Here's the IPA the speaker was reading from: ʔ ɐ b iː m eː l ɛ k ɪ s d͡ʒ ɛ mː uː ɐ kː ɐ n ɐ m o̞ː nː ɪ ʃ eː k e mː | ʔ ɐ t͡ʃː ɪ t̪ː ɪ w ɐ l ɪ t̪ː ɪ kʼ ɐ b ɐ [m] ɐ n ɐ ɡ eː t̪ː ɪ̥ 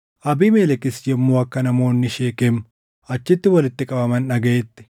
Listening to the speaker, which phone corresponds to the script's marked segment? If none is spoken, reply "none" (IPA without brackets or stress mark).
m